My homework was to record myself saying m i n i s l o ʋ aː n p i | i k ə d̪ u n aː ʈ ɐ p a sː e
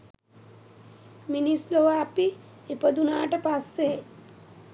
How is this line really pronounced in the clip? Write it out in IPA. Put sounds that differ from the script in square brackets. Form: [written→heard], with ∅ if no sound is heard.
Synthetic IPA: m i n i s l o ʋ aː [n→∅] p i | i [k→p] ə d̪ u n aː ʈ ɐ p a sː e